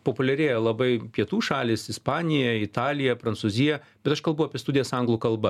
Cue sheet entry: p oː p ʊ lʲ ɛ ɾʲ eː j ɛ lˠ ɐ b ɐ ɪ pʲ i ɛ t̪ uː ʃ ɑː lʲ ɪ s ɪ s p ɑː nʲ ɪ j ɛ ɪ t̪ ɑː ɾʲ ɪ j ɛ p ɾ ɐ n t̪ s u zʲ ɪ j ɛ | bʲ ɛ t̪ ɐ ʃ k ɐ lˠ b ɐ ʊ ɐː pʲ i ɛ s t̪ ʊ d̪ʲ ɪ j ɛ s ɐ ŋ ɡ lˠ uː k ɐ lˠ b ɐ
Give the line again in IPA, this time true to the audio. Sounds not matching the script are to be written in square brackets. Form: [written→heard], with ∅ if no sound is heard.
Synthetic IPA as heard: p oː p ʊ lʲ ɛ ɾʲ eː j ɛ lˠ ɐ b ɐ ɪ pʲ i ɛ t̪ uː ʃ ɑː lʲ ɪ s ɪ s p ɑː nʲ ɪ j ɛ ɪ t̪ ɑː [ɾʲ→lʲ] ɪ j ɛ p ɾ ɐ n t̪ s u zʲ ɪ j ɛ | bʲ ɛ t̪ ɐ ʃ k ɐ lˠ b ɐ ʊ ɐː pʲ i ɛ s t̪ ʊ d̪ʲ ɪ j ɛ s ɐ ŋ ɡ lˠ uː k ɐ lˠ b ɐ